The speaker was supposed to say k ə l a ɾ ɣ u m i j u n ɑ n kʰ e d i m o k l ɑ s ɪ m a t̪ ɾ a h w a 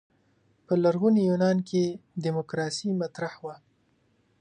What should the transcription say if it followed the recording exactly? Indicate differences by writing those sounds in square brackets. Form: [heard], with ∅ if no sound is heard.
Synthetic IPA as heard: [p] ə l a ɾ ɣ u [n] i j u n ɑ n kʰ e d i m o k [ɾ] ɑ s [i] m a t̪ ɾ a h w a